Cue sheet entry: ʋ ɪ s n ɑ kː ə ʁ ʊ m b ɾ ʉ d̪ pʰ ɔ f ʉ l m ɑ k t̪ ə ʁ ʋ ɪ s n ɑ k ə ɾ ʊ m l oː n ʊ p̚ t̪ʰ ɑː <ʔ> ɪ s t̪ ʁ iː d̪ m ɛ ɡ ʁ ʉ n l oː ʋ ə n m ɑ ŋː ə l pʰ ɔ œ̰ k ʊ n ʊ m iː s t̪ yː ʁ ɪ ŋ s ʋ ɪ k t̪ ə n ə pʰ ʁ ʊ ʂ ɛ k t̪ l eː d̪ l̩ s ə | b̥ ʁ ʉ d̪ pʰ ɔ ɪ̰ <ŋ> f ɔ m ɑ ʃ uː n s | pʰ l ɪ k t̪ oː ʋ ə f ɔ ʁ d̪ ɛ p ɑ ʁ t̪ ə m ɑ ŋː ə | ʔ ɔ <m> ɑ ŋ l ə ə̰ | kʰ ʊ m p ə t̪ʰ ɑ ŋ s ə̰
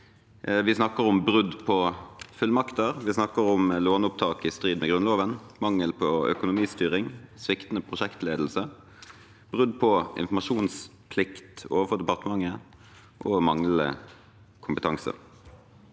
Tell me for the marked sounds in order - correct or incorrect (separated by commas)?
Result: incorrect, incorrect, correct